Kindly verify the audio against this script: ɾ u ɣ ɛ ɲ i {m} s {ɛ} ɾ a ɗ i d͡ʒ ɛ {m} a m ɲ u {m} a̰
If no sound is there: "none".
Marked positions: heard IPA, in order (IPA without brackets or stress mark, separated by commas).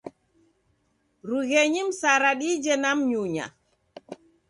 m, a, n, ɲ